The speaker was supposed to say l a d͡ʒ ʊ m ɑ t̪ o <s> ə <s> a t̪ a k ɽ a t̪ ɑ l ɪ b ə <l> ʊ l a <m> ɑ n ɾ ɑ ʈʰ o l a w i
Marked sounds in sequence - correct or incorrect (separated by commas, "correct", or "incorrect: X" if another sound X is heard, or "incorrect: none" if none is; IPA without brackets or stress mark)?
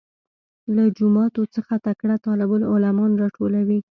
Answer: incorrect: t͡s, incorrect: x, correct, correct